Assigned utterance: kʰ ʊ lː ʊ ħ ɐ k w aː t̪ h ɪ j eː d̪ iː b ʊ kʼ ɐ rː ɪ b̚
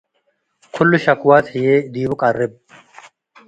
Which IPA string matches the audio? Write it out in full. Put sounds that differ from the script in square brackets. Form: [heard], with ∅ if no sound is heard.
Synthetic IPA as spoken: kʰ ʊ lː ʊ [ʃ] ɐ k w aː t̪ h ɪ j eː d̪ iː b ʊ kʼ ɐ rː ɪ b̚